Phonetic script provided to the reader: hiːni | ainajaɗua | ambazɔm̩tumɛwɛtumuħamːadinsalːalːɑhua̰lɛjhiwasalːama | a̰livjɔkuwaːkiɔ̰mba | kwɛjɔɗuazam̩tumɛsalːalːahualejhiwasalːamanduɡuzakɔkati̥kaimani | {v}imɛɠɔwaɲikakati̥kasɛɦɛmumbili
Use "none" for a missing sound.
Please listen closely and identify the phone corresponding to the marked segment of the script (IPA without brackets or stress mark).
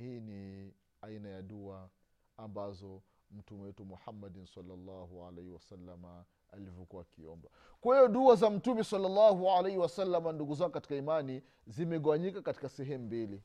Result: z